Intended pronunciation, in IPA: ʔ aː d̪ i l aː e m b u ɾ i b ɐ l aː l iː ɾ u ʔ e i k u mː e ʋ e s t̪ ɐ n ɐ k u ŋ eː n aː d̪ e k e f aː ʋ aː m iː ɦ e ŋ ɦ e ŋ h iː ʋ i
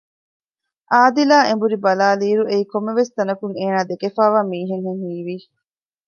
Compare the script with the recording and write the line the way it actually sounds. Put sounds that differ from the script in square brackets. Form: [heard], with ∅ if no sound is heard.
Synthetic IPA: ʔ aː d̪ i l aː e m b u ɾ i b ɐ l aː l iː ɾ u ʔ e i k [o] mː e ʋ e s t̪ ɐ n ɐ k u ŋ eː n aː d̪ e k e f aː ʋ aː m iː ɦ e ŋ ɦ e ŋ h iː ʋ i